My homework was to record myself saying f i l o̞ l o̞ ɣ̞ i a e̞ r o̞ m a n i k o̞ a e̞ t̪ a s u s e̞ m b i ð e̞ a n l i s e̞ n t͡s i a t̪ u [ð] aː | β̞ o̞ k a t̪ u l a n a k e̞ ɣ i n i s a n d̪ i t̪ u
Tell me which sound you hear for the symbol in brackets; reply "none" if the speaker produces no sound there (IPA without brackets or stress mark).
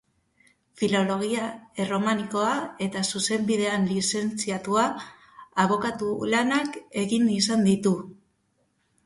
none